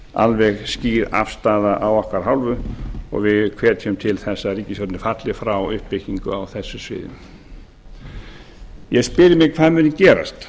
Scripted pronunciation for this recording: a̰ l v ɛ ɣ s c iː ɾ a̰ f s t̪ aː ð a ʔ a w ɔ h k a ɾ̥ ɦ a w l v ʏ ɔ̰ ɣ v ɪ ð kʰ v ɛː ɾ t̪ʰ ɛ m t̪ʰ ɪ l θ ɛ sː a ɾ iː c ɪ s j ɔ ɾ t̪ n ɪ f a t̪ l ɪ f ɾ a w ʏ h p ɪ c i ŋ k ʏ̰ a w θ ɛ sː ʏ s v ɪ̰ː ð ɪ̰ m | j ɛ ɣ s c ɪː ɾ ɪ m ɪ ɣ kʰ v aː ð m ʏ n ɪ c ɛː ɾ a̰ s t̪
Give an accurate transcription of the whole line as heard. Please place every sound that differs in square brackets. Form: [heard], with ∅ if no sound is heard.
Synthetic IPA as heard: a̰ l v ɛ ɣ s c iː ɾ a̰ f s t̪ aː ð a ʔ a w ɔ h k a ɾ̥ ɦ a w l v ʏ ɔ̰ ɣ v ɪ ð kʰ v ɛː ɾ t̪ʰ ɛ m t̪ʰ ɪ l θ ɛ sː a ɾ iː c ɪ s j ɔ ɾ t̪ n ɪ f a t̪ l ɪ f ɾ a w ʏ h p ɪ c i ŋ k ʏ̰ a w θ ɛ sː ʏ s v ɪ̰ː ð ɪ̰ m | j ɛ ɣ s [p] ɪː ɾ ɪ m ɪ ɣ kʰ v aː ð m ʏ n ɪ c ɛː ɾ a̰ s t̪

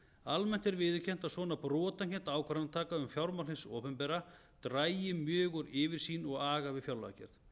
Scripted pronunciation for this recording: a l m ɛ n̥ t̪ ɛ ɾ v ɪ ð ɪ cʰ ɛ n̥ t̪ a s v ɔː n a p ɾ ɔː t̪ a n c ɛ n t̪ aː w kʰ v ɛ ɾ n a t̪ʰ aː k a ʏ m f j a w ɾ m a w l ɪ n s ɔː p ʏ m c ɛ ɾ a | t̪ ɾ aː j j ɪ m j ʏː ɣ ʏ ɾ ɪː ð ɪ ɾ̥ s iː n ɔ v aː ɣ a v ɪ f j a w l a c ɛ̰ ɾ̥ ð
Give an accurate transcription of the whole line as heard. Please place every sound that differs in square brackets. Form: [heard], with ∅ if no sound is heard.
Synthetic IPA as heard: a l m ɛ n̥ t̪ ɛ ɾ v ɪ ð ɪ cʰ ɛ n̥ t̪ a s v ɔː n a p ɾ ɔː t̪ a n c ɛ n t̪ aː w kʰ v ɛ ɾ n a t̪ʰ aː k a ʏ m f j a w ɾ m a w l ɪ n s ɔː p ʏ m [p] ɛ ɾ a | t̪ ɾ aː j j ɪ m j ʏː ɣ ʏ ɾ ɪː [v] ɪ ɾ̥ s iː n ɔ [ɣ] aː ɣ a v ɪ f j a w l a c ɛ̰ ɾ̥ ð

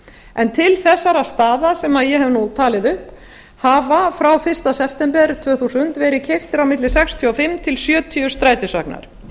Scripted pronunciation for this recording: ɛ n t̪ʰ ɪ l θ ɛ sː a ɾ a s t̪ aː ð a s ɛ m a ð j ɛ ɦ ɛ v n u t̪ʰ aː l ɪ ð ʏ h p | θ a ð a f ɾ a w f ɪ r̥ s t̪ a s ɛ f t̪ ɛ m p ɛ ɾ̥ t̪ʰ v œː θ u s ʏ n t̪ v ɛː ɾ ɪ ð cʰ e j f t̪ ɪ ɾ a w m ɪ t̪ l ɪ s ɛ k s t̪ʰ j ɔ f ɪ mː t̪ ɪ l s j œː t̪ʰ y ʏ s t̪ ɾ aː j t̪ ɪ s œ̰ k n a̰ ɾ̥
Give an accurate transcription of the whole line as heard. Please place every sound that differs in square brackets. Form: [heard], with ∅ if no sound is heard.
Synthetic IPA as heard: ɛ n t̪ʰ ɪ l θ ɛ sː a ɾ a s t̪ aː ð a s ɛ m a ð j ɛ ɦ ɛ v n u t̪ʰ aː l ɪ ð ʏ h p | [h] a [v] a f ɾ a w f ɪ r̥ s t̪ a s ɛ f t̪ ɛ m p ɛ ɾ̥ t̪ʰ v œː θ u s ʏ n t̪ v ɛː ɾ ɪ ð cʰ e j f t̪ ɪ ɾ a w m ɪ t̪ l ɪ s ɛ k s t̪ʰ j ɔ f ɪ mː [t̪ʰ] ɪ l s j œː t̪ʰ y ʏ s t̪ ɾ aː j t̪ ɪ s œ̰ k n a̰ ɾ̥

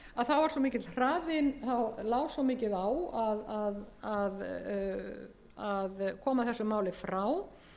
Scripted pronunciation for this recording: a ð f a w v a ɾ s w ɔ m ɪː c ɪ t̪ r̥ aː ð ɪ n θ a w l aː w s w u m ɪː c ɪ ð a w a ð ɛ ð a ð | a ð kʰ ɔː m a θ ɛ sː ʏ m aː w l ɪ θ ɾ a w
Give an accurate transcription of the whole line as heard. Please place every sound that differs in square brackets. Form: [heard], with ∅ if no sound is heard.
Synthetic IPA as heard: a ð [θ] a w v a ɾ s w ɔ m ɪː c ɪ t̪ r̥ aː ð ɪ n θ a w l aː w s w [ɔ] m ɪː c ɪ ð a w a ð [a] ð a ð | a ð kʰ ɔː m a θ ɛ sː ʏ m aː w l ɪ [f] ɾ a w

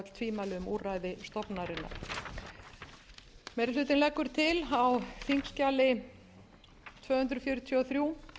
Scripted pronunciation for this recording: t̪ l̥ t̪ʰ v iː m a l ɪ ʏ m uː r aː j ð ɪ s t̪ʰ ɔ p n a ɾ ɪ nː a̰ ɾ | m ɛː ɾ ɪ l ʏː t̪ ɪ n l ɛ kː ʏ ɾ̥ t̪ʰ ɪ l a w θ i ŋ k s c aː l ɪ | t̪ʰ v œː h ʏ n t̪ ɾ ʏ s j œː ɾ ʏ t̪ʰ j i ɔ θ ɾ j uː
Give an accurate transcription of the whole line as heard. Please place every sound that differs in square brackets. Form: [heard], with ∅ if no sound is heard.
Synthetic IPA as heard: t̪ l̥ t̪ʰ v iː m a l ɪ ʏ m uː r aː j ð ɪ s [t̪] ɔ p n a ɾ ɪ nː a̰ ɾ | m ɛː ɾ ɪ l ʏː t̪ ɪ n l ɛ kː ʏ ɾ̥ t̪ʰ ɪ l a w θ i ŋ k s c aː l ɪ | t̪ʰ v œː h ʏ n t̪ ɾ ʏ [f] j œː ɾ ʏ t̪ʰ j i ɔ θ ɾ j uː

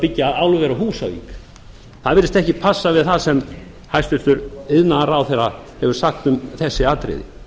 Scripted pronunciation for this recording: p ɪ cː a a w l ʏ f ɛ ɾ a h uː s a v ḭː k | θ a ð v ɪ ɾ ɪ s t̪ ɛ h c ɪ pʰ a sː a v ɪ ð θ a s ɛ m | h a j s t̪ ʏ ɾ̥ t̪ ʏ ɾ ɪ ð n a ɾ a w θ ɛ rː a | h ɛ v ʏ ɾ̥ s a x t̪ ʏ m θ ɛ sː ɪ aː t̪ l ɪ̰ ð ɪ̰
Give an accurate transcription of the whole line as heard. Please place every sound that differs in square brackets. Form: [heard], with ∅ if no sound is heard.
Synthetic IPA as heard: p ɪ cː a a w l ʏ [v] ɛ ɾ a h uː s a v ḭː k | θ a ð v ɪ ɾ ɪ s t̪ ɛ h c ɪ pʰ a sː a v ɪ ð θ a s ɛ m | h a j s t̪ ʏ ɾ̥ t̪ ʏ ɾ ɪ ð n a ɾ a w θ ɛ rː a | h ɛ v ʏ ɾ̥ s a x t̪ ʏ m θ ɛ sː ɪ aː t̪ [ɾ] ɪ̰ ð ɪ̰

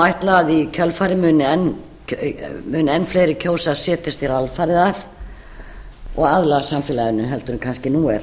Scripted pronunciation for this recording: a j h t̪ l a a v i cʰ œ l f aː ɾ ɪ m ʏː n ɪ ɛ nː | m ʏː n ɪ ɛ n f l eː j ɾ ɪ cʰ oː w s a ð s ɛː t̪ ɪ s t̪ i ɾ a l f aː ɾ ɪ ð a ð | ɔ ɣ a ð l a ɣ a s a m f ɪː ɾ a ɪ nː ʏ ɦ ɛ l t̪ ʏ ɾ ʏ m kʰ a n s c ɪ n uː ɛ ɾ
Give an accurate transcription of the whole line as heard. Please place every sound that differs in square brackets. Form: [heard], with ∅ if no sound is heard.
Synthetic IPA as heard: a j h t̪ l a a [ð] i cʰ œ l f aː ɾ ɪ m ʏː n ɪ ɛ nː | m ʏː n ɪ ɛ n f l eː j ɾ ɪ cʰ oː w s a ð s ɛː t̪ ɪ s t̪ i ɾ a l f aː ɾ ɪ ð a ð | ɔ ɣ a ð l a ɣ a s a m f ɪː [l] a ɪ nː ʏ ɦ ɛ l t̪ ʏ ɾ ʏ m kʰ a n s c ɪ n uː ɛ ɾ

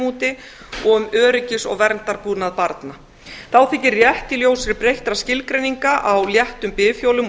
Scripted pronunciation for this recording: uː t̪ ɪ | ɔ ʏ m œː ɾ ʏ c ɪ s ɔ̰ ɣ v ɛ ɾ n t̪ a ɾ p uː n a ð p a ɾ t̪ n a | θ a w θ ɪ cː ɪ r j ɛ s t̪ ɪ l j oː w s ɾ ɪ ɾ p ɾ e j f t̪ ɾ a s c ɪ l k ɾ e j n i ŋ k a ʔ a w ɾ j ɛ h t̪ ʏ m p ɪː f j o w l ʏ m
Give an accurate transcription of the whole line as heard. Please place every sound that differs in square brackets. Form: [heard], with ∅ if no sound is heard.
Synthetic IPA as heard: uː t̪ ɪ | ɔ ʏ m œː ɾ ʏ c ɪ s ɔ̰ ɣ v ɛ ɾ n t̪ a ɾ p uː n a ð p a ɾ t̪ n a | θ a w θ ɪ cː ɪ r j ɛ [h] t̪ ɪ l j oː w s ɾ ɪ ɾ p ɾ e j [h] t̪ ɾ a s c ɪ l k ɾ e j n i ŋ k a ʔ a w [l] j ɛ h t̪ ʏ m p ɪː f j o w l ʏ m

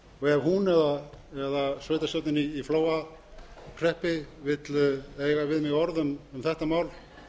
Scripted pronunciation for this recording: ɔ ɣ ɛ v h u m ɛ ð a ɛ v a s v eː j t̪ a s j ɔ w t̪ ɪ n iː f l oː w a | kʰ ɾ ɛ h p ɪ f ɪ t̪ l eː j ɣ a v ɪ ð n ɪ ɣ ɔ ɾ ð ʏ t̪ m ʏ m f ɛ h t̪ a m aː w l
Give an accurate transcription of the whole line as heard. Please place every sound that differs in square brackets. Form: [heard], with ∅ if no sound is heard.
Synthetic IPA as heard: ɔ ɣ ɛ v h u [n] ɛ ð a ɛ [ð] a s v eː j t̪ a s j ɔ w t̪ ɪ n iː f l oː w a | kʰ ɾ ɛ h p ɪ [v] ɪ t̪ l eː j ɣ a v ɪ ð [m] ɪ ɣ ɔ ɾ ð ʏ [∅] m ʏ m [θ] ɛ h t̪ a m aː w l

